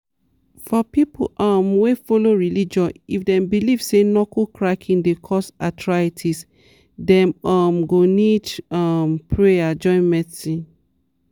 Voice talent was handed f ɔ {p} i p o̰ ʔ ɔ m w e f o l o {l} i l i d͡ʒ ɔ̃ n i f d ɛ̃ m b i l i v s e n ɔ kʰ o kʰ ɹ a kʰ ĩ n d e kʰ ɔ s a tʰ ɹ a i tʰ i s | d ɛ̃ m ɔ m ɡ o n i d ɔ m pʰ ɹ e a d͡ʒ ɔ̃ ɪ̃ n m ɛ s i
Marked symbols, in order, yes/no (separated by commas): yes, no